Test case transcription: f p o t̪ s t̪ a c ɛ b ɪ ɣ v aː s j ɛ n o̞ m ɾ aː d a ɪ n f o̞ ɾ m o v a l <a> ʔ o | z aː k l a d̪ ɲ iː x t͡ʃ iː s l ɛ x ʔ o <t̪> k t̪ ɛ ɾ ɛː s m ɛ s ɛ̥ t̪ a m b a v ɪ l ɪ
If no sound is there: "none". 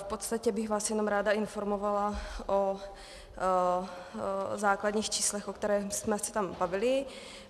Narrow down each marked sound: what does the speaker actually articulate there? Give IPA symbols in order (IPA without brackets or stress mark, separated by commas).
a, none